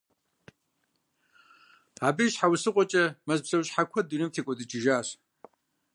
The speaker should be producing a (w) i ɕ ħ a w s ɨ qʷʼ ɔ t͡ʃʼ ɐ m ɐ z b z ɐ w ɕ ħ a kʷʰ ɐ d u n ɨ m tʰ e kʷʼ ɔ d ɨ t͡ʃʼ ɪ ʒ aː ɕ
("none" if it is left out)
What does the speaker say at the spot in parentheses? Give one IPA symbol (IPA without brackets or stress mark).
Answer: b